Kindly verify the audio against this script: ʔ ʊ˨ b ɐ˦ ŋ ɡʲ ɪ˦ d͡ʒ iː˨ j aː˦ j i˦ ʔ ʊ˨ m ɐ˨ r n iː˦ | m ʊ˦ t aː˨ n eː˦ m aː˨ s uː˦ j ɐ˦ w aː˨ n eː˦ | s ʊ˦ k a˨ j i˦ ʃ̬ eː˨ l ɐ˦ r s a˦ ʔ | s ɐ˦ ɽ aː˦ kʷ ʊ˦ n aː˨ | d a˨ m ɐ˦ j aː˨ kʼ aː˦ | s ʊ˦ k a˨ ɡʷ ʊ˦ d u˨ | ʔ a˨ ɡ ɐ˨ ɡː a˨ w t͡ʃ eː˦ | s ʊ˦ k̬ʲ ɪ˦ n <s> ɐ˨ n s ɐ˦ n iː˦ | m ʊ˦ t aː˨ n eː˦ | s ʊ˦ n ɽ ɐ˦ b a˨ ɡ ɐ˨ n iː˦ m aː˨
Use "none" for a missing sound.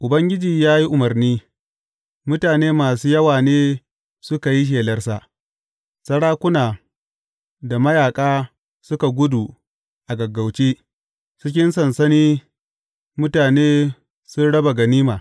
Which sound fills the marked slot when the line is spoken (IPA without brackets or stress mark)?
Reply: s